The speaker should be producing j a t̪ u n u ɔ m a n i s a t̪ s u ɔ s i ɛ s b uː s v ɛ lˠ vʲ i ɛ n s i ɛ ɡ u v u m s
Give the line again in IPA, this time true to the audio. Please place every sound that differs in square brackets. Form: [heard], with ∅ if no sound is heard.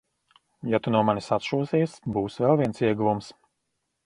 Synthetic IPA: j a t̪ u n u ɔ m a n i s a t̪ [ʃ] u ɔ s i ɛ s b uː s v ɛ lˠ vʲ i ɛ n s i ɛ ɡ u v u m s